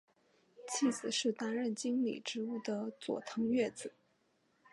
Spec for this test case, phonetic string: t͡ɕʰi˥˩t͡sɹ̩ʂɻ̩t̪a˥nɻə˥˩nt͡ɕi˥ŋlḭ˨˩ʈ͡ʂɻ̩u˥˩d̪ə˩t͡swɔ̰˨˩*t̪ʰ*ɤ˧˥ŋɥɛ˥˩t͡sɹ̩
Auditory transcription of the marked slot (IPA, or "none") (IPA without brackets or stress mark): t̪ʰ